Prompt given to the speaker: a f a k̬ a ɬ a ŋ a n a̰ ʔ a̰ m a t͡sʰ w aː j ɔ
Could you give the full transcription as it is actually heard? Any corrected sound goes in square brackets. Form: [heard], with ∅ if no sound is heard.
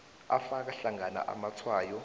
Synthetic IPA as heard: a f a k̬ a ɬ a ŋ a n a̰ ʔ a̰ m a t͡sʰ w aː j ɔ